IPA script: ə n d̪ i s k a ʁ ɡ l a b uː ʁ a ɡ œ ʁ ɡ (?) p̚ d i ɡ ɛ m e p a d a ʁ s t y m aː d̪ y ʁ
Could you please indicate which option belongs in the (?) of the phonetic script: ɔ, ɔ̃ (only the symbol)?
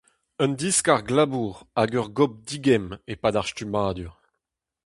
ɔ